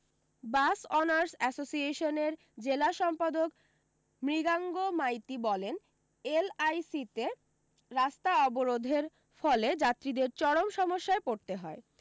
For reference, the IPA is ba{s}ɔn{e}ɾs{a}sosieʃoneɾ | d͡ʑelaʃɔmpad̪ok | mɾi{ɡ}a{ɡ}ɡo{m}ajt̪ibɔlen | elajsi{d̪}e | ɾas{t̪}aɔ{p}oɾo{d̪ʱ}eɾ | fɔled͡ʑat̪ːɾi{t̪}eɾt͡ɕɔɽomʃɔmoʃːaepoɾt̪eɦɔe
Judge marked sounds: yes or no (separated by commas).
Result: yes, no, no, yes, no, yes, no, yes, no, yes, no